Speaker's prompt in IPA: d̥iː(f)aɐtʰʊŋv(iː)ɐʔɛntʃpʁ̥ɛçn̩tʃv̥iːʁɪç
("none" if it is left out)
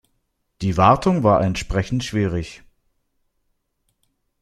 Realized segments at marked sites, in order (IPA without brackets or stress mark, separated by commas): v, aː